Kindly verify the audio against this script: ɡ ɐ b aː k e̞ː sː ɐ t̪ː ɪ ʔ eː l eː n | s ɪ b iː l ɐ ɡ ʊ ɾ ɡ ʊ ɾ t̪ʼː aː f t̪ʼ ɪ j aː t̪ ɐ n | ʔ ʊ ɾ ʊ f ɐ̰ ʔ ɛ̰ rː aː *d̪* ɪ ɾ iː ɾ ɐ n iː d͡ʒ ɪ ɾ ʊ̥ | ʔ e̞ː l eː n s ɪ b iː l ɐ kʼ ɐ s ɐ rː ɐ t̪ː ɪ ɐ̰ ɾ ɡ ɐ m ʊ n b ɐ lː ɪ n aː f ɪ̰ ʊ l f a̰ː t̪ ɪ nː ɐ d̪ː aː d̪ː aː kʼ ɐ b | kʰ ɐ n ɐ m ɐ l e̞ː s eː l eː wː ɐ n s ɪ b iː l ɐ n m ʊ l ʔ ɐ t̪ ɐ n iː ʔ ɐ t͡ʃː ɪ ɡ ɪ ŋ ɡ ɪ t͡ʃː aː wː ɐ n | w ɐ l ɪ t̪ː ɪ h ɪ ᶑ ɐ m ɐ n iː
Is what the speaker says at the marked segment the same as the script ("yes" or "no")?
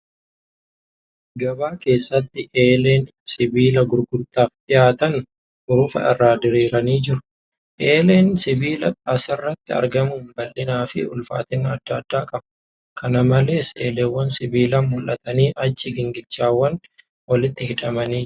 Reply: yes